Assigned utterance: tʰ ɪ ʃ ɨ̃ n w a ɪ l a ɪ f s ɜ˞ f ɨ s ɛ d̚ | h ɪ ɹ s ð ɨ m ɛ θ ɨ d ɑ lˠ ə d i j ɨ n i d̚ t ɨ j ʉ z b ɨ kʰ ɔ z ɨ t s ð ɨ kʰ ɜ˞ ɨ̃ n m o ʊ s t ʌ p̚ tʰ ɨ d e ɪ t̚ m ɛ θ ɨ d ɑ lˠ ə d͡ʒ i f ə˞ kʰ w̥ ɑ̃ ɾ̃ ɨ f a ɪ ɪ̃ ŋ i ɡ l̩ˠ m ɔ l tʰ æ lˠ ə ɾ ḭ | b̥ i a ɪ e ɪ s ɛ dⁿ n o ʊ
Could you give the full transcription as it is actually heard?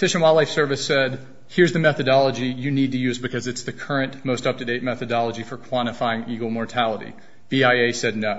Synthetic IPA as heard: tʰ ɪ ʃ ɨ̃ n w a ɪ l a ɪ f s ɜ˞ v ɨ s ɛ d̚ | h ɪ ɹ z ð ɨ m ɛ θ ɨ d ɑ lˠ ə d͡ʒ i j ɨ n i d̚ t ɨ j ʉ z b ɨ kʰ ʌ z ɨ t s ð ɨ kʰ ɜ˞ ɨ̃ n m o ʊ s t ʌ p̚ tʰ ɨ d e ɪ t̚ m ɛ θ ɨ d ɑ lˠ ə d͡ʒ i f ə˞ kʰ w̥ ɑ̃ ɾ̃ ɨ f a ɪ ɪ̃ ŋ i ɡ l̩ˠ m ɔ ɹ tʰ æ lˠ ə ɾ ḭ | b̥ i a ɪ e ɪ s ɛ dⁿ n o ʊ